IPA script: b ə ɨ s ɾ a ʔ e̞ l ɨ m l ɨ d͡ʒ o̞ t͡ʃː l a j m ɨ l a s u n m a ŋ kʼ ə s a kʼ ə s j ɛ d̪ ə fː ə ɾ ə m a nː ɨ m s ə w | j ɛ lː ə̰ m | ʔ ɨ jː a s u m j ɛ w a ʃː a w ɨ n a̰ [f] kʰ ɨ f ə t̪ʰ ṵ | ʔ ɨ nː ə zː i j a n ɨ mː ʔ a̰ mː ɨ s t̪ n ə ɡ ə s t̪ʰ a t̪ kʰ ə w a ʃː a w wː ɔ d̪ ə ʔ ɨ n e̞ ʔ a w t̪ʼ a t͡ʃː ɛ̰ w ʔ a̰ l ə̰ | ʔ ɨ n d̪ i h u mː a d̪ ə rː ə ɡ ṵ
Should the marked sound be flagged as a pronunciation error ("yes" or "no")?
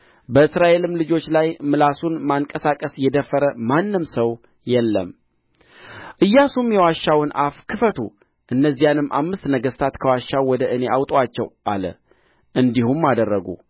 no